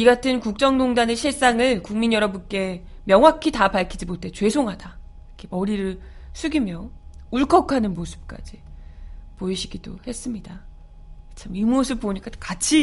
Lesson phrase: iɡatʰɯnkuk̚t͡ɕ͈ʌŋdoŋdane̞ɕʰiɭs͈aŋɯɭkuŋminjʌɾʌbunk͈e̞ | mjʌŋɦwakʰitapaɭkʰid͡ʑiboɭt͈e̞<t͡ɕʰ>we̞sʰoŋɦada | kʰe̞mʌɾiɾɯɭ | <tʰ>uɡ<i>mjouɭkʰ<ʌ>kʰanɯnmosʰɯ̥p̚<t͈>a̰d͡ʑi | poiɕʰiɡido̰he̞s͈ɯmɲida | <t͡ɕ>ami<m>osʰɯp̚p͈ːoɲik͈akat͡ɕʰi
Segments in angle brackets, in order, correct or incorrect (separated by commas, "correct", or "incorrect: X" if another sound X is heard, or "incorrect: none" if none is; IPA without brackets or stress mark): incorrect: t͡ɕ, incorrect: sʰ, correct, correct, incorrect: k͈, incorrect: t͡ɕʰ, correct